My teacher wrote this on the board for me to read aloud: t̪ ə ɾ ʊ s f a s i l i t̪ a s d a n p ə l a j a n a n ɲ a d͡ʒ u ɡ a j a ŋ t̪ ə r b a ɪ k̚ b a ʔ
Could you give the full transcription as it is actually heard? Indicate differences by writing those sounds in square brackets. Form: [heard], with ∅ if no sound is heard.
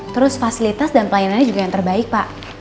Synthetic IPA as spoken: t̪ ə ɾ ʊ s f a s i l i t̪ a s d a n p ə l a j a n a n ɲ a d͡ʒ u ɡ a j a ŋ t̪ ə r b a ɪ k̚ [p] a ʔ